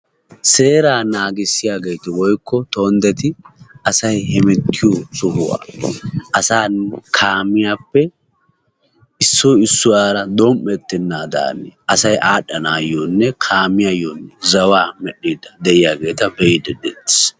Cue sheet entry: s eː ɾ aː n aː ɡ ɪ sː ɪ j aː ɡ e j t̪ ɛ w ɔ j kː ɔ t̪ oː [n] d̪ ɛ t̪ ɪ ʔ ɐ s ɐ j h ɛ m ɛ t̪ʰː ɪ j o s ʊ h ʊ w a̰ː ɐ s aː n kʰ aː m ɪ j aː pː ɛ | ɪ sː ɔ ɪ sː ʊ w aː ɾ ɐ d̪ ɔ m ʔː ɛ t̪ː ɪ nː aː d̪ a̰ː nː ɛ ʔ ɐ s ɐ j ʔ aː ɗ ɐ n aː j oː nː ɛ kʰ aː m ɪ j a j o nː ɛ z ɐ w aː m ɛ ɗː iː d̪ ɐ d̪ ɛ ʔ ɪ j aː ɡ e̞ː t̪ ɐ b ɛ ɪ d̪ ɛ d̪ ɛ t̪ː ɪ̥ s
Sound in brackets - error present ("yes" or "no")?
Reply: no